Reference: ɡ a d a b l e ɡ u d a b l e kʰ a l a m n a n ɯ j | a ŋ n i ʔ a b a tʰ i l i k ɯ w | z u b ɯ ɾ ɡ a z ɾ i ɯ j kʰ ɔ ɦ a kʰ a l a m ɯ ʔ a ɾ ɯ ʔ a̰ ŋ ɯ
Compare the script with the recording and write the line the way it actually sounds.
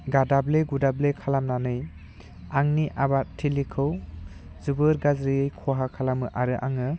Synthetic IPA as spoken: ɡ a d a b l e ɡ u d a b l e kʰ a l a m n a n ɯ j | a ŋ n i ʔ a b a tʰ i l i kʰ ɯ w | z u b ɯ ɾ ɡ a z ɾ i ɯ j kʰ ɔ ɦ a kʰ a l a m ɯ ʔ a ɾ ɯ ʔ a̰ ŋ ɯ